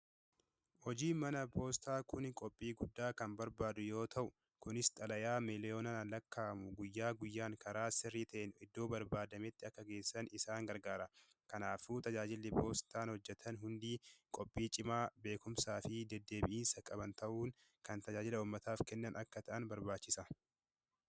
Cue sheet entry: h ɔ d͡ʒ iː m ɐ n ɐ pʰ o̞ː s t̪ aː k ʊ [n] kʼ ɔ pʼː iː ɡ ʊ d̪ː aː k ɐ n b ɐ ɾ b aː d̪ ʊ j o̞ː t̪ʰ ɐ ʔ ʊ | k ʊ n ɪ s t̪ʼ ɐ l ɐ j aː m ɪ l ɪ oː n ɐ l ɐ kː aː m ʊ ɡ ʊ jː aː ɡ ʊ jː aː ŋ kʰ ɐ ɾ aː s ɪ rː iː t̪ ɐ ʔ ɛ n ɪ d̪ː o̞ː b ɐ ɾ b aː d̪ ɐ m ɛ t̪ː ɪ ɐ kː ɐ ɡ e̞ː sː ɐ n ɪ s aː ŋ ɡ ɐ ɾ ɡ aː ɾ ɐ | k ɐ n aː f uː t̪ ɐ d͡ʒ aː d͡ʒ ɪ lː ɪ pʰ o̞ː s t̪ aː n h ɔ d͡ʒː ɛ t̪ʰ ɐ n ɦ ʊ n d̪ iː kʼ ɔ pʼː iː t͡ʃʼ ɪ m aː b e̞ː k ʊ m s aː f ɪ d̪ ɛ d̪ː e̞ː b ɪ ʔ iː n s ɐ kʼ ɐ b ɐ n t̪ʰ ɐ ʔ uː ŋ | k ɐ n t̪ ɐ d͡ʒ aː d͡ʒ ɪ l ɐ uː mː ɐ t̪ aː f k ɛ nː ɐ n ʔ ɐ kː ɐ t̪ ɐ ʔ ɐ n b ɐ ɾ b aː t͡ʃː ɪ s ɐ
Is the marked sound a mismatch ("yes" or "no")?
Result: no